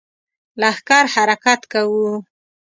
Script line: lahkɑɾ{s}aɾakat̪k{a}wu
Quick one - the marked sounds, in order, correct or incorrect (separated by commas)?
incorrect, correct